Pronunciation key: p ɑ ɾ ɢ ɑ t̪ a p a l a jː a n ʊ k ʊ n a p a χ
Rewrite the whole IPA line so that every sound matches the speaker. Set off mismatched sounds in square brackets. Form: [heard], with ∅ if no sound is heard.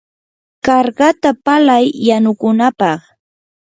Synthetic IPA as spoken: [k] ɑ ɾ ɢ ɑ t̪ a p a l a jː a n ʊ k ʊ n a p [ɑ] χ